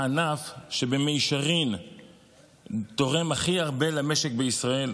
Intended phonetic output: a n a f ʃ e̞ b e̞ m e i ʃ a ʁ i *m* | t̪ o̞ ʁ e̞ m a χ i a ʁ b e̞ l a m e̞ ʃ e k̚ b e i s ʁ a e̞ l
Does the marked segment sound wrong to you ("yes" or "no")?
yes